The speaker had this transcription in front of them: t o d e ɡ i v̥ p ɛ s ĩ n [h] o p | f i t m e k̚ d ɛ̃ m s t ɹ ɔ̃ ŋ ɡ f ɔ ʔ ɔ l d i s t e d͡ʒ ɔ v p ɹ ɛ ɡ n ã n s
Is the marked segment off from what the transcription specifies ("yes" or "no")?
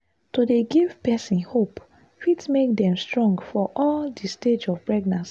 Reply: no